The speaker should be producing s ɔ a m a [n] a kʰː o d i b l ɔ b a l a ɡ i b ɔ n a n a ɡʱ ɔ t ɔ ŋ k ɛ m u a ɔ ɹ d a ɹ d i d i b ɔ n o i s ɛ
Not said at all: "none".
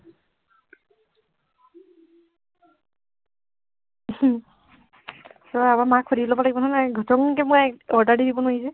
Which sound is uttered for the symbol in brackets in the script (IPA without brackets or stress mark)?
m